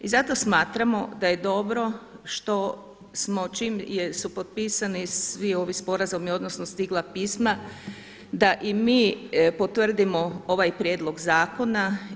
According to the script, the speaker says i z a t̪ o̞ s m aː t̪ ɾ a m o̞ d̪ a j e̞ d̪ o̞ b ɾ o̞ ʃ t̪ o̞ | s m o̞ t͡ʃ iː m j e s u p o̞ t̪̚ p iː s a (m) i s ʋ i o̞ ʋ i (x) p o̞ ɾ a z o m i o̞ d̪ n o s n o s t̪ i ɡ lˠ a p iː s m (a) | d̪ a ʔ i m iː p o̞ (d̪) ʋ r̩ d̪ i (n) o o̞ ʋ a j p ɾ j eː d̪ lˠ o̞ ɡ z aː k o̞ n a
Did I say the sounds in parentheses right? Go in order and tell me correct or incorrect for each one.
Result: incorrect: n, incorrect: s, correct, incorrect: t̪, incorrect: m

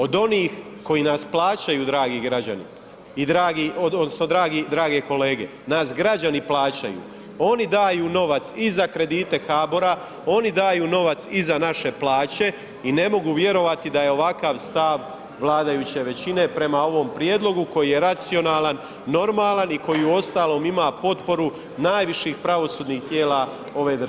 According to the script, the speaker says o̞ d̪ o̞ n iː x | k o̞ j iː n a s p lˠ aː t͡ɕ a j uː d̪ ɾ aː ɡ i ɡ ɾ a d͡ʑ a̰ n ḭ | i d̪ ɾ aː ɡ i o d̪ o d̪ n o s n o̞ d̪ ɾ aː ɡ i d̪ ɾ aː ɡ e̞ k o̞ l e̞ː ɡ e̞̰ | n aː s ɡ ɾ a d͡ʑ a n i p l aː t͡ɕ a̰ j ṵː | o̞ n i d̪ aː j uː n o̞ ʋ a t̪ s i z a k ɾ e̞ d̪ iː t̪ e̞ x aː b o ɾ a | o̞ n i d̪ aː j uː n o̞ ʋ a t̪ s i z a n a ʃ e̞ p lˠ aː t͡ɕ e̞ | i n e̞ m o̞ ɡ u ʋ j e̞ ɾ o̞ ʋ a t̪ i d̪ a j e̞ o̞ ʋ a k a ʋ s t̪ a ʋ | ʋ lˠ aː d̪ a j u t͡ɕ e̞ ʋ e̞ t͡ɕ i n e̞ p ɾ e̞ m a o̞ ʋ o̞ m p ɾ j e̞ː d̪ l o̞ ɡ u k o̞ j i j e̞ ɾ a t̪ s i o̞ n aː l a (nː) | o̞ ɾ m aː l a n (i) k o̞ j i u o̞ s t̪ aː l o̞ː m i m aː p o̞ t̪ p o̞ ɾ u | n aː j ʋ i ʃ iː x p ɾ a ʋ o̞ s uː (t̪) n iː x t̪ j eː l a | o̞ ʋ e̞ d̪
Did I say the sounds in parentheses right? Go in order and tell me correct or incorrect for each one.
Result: correct, correct, incorrect: d̪

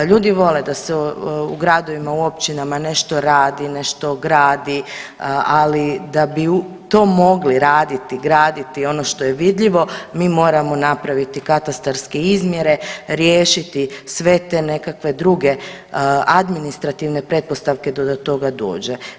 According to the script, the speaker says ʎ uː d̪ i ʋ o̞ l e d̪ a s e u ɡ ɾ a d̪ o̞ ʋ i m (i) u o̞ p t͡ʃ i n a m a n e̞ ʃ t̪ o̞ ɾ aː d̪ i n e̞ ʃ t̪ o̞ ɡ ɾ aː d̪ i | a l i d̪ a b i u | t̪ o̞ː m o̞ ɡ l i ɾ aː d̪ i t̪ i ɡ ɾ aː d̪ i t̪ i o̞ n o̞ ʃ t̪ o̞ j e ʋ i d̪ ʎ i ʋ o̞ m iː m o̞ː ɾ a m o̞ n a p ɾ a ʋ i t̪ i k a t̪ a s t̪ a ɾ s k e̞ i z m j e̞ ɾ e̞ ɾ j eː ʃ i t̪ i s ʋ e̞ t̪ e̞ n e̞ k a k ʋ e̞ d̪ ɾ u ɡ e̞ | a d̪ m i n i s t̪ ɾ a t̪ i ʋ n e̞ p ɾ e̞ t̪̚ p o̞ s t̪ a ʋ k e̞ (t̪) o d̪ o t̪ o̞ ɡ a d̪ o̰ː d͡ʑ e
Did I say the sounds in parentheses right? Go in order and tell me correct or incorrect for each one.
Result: incorrect: a, incorrect: d̪

